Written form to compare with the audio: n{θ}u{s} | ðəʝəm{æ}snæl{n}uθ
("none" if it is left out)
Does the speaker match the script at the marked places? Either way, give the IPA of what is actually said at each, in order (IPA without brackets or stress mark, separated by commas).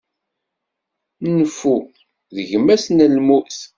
f, none, æ, m